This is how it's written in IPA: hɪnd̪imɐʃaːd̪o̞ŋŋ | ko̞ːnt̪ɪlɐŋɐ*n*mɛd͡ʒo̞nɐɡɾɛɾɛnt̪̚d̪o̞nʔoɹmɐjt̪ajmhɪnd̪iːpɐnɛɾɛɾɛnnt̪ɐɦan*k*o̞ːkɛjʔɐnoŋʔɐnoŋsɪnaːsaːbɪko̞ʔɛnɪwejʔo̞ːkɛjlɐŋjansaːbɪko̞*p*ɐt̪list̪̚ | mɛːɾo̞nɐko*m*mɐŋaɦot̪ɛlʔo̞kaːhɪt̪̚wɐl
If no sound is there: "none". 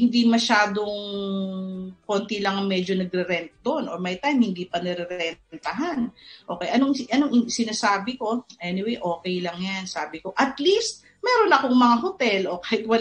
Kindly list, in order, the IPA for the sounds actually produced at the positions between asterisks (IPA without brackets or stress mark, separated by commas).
ŋ, ʔ, ʔ, ŋ